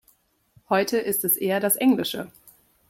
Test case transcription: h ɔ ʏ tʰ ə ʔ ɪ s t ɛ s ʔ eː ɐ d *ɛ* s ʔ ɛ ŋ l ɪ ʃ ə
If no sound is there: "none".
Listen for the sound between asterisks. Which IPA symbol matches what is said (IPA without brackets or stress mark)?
a